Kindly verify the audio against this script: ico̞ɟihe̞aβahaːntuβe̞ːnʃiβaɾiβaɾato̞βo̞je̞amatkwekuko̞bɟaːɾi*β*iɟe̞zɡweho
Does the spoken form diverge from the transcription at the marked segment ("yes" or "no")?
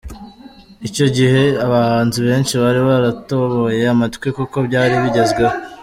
no